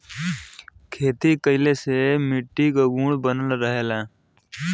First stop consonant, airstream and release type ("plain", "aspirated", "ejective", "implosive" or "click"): aspirated